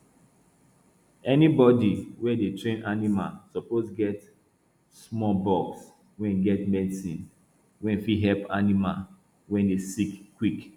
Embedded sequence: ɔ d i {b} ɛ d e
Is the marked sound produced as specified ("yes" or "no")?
no